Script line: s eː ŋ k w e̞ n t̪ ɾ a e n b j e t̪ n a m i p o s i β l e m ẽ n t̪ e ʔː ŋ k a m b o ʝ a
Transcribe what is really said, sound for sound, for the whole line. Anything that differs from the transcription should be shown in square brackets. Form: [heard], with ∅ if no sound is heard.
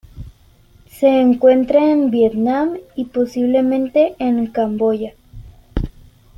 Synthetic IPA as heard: s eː ŋ k w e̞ n t̪ ɾ a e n b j e t̪ n a m i p o s i β l e m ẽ n t̪ e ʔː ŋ k a m b o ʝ a